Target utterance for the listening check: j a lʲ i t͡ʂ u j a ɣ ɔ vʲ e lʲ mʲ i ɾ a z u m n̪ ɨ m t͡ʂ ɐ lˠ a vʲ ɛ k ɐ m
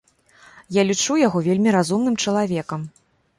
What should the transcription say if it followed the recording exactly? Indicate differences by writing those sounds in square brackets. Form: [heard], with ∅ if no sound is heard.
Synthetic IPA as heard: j a lʲ i t͡ʂ u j a ɣ ɔ vʲ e lʲ mʲ i ɾ a z u m n̪ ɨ m t͡ʂ ɐ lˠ a vʲ ɛ k ɐ m